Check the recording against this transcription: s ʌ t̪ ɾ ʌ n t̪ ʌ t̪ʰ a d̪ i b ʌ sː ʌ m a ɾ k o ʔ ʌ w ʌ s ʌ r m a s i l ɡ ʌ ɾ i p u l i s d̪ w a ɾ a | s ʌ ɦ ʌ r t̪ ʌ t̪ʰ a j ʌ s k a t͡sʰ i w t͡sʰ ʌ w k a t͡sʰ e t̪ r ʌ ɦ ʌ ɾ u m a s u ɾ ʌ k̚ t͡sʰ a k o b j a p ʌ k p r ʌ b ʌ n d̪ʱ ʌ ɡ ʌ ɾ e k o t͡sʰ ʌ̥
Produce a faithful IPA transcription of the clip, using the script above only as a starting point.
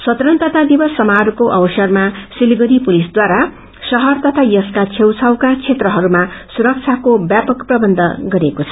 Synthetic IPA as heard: s ʌ t̪ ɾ ʌ n t̪ ʌ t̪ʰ a d̪ i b ʌ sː ʌ m a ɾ k o ʔ ʌ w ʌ s ʌ r m a s i l ɡ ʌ ɾ i p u l i s d̪ w a ɾ a | s ʌ ɦ ʌ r t̪ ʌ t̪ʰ a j ʌ s k a t͡sʰ e w t͡sʰ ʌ w k a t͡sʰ e t̪ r ʌ ɦ ʌ ɾ u m a s u ɾ ʌ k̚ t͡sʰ a k o b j a p ʌ k p r ʌ b ʌ n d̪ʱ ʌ ɡ ʌ ɾ e k o t͡sʰ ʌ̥